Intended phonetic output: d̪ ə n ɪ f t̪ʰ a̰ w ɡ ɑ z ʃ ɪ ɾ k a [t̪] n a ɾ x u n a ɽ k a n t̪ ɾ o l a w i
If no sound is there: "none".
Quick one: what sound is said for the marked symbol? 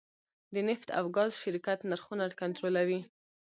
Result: t̪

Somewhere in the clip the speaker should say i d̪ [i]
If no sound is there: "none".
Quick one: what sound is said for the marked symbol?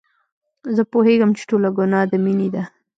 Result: a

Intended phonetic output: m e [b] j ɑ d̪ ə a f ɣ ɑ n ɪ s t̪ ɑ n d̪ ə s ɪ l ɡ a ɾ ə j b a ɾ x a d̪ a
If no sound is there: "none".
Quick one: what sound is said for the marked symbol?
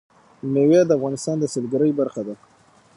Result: w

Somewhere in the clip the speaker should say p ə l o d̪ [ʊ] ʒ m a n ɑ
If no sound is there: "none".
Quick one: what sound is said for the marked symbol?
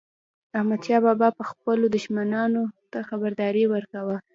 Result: ʊ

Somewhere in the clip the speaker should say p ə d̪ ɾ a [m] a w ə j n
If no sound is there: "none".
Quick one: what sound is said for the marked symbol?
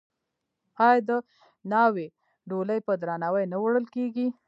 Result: n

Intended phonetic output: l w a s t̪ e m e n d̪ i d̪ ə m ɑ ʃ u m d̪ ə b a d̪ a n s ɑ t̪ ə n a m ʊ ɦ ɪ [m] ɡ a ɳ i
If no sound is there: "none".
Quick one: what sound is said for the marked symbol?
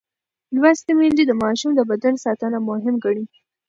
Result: m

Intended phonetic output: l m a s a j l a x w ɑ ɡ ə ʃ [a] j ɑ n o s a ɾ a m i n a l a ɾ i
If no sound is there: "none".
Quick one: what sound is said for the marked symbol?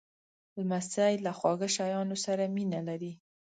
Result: a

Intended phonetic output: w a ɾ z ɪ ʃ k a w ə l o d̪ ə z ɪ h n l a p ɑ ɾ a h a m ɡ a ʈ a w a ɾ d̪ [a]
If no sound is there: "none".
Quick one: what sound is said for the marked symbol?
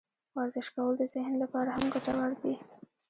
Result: i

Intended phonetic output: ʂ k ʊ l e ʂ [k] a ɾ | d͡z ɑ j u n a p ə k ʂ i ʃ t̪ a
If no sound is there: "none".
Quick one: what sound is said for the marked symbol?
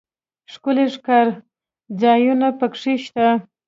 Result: k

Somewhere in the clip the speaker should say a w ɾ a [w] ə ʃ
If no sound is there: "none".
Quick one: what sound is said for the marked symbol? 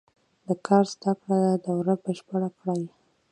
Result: b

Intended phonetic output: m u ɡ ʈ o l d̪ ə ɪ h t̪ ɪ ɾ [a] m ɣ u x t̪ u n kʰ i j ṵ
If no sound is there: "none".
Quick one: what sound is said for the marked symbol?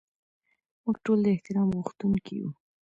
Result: ɑ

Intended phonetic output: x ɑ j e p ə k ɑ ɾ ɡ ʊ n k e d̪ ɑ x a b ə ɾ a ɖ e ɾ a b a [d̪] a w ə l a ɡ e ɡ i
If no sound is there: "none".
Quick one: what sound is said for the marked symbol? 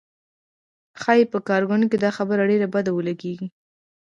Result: d̪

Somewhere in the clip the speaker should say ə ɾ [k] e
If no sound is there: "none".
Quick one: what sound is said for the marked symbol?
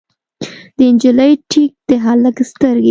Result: ɡ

